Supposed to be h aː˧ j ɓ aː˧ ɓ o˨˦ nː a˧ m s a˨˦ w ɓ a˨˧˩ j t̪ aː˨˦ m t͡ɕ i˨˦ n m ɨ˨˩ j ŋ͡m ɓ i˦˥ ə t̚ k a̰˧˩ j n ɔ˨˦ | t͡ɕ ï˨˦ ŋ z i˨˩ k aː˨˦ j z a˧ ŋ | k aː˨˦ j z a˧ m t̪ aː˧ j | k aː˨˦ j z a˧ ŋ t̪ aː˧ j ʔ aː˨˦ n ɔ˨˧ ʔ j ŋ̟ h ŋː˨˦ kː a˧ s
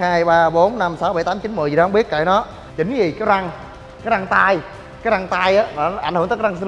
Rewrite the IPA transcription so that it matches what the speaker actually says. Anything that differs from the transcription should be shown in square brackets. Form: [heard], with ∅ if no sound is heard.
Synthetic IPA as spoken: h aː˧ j ɓ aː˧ ɓ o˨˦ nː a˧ m s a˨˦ w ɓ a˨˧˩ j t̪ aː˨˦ m t͡ɕ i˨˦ n m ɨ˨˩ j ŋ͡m ɓ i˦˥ ə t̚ k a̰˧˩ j n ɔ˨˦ | t͡ɕ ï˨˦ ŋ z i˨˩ k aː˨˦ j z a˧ ŋ | k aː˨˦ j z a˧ [ŋ] t̪ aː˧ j | k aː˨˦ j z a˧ ŋ t̪ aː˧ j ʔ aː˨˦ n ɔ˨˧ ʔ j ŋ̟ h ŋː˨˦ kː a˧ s